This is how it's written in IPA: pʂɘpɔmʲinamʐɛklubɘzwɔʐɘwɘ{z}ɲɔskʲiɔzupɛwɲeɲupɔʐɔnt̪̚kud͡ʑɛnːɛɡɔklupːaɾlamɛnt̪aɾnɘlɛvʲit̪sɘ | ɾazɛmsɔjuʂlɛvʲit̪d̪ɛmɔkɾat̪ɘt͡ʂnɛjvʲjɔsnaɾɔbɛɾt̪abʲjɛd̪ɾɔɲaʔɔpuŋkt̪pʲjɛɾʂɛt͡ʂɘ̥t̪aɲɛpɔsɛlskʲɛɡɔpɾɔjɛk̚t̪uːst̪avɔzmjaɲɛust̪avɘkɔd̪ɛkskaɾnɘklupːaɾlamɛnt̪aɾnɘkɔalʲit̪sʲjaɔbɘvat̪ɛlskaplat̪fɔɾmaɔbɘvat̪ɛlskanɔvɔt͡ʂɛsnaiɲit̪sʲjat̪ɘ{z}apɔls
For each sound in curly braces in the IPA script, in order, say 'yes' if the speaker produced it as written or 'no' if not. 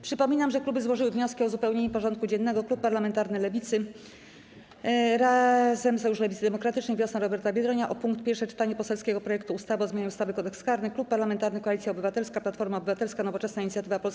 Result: no, no

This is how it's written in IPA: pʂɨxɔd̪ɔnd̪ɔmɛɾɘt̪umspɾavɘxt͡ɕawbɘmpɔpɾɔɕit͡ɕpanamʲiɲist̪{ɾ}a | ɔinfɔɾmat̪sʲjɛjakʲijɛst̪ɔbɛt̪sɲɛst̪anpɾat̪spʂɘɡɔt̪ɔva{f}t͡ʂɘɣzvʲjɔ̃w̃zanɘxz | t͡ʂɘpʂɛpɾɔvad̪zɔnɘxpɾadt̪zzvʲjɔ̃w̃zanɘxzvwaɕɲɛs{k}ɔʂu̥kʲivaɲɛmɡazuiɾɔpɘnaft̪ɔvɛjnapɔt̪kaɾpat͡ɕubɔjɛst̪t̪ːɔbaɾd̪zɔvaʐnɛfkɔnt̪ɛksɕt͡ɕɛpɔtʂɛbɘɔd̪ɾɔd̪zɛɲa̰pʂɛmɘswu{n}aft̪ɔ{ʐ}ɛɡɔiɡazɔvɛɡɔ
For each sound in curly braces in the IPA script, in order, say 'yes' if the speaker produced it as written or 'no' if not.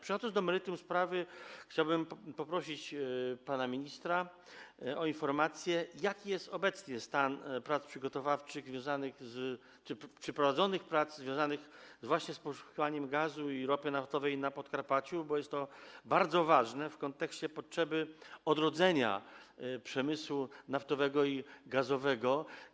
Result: yes, yes, no, yes, no

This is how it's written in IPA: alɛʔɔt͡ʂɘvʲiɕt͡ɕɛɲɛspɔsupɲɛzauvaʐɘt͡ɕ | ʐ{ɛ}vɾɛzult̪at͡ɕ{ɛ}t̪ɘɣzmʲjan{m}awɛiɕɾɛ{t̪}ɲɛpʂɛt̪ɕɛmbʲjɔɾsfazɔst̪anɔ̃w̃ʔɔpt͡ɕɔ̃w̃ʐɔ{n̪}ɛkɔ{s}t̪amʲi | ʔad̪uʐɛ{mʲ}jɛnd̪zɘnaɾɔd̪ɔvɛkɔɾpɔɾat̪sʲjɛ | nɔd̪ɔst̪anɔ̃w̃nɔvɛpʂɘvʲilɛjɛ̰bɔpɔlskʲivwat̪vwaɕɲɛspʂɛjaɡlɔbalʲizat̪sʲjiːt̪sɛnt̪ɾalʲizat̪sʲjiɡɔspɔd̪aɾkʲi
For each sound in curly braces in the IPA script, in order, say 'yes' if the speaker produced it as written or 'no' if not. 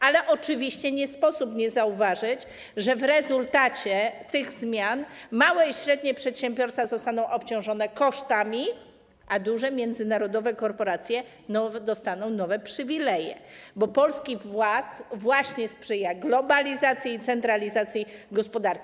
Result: yes, yes, yes, no, yes, no, yes

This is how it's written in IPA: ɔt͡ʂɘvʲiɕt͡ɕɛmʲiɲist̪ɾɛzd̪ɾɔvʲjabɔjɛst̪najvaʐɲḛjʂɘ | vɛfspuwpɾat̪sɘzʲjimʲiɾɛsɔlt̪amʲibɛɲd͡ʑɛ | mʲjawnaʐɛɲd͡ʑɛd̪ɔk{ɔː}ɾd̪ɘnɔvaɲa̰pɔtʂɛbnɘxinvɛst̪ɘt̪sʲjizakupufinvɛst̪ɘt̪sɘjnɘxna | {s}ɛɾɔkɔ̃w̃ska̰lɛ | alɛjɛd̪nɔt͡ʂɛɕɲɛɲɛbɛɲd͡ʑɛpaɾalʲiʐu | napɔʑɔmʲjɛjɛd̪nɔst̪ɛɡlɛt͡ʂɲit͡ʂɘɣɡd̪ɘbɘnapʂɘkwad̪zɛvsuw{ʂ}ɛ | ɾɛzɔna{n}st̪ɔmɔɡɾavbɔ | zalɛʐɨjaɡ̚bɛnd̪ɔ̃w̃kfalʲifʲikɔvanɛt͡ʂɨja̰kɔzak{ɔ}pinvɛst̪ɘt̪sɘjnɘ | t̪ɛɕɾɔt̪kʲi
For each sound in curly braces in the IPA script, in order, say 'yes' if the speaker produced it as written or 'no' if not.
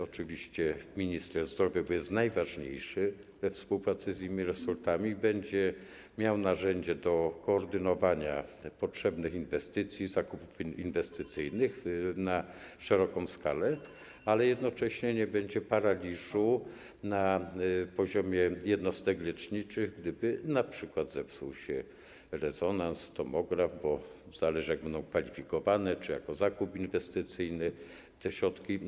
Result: yes, no, no, yes, no

